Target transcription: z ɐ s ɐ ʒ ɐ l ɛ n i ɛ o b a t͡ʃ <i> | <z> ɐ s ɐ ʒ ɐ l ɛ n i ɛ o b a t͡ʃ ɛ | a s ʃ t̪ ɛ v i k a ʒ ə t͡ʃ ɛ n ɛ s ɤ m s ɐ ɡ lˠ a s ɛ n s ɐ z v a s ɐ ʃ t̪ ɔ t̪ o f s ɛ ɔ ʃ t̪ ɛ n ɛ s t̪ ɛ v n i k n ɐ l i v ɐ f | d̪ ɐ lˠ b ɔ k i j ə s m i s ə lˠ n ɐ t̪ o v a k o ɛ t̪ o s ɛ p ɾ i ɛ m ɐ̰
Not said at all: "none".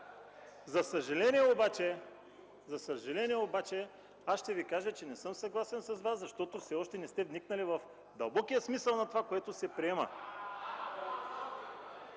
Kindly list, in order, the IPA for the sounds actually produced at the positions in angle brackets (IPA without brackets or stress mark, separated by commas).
ɛ, z